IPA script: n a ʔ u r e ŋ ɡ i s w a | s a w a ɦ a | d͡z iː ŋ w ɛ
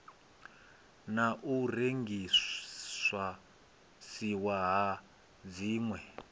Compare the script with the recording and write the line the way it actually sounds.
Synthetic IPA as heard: n a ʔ u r e ŋ ɡ i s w a | s i w a ɦ a | d͡z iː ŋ w ɛ